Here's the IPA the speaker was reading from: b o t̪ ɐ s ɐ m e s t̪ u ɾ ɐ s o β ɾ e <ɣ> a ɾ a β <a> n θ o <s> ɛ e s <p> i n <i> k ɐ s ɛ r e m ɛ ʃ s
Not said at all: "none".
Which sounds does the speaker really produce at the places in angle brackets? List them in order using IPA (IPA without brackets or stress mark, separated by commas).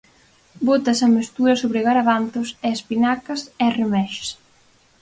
ɣ, a, s, p, a